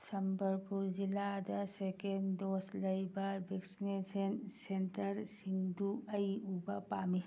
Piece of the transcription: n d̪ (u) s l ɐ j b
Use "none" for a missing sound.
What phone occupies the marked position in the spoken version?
o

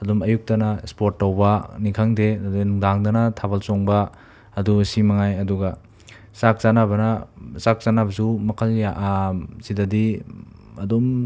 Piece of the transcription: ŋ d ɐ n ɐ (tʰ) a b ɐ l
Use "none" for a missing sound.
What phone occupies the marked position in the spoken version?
tʰ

